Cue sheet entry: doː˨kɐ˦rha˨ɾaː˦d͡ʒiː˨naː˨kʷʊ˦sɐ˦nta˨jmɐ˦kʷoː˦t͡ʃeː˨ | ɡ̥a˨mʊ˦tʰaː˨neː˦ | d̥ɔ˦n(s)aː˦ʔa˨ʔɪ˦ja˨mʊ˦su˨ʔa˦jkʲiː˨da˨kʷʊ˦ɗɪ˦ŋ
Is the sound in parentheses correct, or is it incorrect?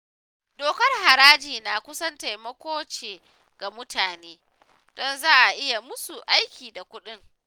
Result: incorrect